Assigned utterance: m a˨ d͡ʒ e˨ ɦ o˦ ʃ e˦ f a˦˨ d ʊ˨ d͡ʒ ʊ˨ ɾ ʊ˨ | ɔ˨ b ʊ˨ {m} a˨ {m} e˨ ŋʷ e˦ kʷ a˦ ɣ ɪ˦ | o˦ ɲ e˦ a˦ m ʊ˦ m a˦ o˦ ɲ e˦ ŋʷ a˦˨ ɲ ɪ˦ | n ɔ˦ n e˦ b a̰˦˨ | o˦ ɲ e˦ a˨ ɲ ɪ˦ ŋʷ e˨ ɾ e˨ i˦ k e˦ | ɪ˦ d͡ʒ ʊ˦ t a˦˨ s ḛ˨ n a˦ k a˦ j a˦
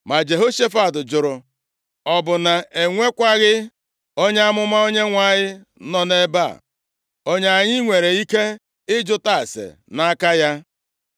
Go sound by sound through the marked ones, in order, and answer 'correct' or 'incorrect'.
incorrect: n, incorrect: none

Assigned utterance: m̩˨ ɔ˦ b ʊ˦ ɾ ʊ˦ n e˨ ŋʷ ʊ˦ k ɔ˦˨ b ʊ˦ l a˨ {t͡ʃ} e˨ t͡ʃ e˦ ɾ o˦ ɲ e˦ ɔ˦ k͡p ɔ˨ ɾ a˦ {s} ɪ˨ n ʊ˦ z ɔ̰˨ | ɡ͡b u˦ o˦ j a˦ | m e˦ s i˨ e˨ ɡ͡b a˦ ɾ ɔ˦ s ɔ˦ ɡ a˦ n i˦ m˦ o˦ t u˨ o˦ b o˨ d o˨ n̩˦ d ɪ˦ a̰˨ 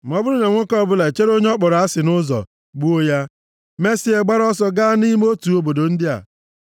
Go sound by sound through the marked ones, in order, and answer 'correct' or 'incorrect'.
incorrect: none, correct

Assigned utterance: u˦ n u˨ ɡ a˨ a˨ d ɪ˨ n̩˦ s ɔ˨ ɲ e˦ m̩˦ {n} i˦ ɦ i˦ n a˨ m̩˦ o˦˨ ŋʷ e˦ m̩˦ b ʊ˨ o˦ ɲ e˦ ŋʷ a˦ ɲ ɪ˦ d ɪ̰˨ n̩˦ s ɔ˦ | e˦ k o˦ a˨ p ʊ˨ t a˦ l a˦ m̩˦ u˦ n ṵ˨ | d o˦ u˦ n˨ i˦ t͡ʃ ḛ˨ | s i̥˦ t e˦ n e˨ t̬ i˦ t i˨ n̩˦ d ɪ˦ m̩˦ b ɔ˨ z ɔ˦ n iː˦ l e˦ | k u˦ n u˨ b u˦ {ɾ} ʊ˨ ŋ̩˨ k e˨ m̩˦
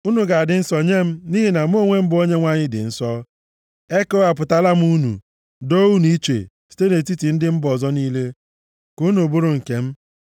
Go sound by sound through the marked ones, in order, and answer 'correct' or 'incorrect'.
correct, correct

